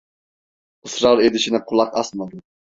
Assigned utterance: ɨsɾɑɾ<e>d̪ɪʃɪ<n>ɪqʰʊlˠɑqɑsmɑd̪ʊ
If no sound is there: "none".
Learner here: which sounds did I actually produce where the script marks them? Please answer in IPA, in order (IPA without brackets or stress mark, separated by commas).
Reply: e, n